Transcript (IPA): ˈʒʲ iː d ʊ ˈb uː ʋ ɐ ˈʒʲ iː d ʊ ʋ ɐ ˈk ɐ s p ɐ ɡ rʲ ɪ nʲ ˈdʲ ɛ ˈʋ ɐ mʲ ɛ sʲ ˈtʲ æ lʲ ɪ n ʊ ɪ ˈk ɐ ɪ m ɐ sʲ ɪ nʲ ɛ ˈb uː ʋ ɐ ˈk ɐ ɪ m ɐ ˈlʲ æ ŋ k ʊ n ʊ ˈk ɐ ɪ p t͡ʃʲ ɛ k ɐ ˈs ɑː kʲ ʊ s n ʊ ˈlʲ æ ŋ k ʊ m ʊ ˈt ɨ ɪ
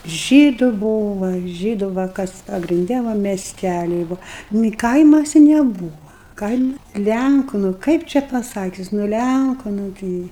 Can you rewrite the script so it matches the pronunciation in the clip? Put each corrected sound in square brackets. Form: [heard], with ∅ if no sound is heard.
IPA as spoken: ˈʒʲ iː d ʊ ˈb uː ʋ ɐ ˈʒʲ iː d ʊ ʋ ɐ ˈk ɐ s p ɐ ɡ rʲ ɪ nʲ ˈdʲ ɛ ˈʋ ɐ mʲ ɛ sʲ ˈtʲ æ lʲ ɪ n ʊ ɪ ˈk ɐ ɪ m ɐ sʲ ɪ nʲ ɛ ˈb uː ʋ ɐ ˈk ɐ ɪ m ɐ ˈlʲ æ ŋ k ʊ n ʊ ˈk ɐ ɪ p t͡ʃʲ ɛ [p] ɐ ˈs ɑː kʲ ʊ s n ʊ ˈlʲ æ ŋ k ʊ [n] ʊ ˈt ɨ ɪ